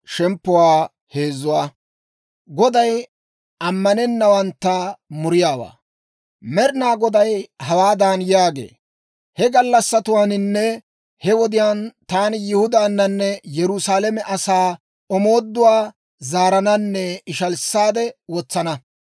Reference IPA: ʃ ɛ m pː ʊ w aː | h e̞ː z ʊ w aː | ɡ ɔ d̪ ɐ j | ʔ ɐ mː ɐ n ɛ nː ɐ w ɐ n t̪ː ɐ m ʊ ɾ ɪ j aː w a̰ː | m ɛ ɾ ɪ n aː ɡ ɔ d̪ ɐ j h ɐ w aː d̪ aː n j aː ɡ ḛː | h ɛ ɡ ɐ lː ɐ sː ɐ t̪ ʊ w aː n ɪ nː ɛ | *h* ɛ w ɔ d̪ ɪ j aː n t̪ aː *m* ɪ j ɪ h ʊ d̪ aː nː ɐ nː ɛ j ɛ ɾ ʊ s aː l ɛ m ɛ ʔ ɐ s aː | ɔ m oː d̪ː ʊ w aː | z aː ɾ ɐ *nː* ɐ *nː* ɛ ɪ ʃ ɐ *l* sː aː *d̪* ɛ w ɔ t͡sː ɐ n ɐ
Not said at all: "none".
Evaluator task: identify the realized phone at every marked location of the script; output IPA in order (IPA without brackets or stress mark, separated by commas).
h, n, n, nː, l, d̪